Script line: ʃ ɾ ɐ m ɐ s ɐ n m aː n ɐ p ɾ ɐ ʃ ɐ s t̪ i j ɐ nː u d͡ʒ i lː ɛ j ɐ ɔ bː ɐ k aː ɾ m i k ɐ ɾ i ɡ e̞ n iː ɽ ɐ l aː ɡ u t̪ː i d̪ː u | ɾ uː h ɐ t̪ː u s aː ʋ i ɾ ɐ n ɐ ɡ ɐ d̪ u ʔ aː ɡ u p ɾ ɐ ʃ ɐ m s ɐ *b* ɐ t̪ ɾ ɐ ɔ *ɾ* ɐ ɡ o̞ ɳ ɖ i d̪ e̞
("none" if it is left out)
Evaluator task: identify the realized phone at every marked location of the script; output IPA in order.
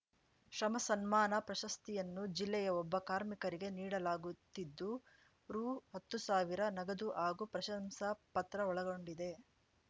p, ɭ

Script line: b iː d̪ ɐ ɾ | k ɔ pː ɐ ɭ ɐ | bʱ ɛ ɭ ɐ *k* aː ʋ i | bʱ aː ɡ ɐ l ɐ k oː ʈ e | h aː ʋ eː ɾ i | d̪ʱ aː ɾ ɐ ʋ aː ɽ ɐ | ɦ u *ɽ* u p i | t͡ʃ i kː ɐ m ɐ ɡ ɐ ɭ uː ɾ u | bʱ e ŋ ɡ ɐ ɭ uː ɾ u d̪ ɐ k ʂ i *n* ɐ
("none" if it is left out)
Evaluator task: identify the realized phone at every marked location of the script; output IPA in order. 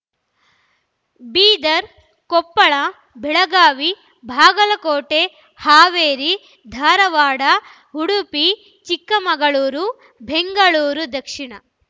ɡ, ɽ, ɳ

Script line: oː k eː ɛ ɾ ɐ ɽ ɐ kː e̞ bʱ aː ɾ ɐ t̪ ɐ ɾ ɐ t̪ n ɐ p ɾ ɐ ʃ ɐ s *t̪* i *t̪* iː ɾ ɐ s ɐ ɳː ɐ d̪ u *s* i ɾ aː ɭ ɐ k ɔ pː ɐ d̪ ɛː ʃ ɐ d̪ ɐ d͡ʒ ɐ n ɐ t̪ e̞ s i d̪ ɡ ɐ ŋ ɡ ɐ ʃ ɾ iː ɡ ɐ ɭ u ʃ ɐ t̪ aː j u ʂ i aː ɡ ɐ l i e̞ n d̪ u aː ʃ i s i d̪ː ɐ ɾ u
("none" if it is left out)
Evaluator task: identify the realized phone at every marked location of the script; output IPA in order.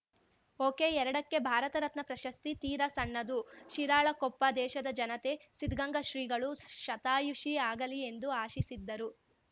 t̪, t̪, ʃ

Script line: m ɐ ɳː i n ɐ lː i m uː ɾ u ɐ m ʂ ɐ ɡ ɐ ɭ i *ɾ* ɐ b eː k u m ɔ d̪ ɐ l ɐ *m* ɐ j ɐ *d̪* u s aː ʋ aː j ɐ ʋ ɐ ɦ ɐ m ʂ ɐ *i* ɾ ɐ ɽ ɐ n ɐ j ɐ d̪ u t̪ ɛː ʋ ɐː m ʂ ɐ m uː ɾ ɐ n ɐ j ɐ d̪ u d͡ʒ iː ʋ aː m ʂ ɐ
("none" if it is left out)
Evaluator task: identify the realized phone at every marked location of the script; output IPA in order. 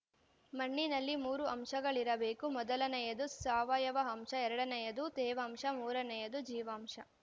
ɾ, n, d̪, ɛ

